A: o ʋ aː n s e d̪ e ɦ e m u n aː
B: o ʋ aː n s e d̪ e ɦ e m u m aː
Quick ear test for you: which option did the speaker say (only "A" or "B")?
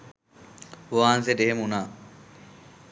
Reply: A